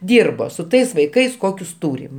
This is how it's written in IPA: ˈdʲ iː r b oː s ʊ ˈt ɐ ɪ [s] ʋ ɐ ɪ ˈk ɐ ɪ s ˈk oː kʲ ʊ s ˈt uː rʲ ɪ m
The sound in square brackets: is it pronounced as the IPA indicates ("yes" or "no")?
yes